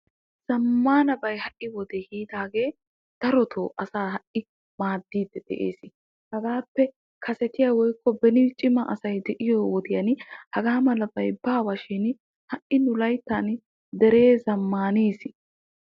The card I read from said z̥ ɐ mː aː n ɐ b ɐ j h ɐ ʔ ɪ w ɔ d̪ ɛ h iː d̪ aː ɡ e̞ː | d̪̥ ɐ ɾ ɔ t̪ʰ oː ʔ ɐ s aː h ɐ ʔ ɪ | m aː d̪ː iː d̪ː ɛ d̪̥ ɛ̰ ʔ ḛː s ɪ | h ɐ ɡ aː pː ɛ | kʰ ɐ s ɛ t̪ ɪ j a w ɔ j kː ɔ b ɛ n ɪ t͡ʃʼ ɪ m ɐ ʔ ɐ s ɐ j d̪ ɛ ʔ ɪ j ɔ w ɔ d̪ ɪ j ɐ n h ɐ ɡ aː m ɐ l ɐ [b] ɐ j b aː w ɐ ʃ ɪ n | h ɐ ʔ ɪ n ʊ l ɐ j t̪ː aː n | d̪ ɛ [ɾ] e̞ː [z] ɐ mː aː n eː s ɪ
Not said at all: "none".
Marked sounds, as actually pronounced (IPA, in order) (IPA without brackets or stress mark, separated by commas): b, ɾ, z